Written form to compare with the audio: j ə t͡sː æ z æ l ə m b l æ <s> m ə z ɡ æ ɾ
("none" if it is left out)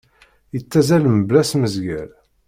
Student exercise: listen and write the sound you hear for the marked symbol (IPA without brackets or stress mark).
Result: s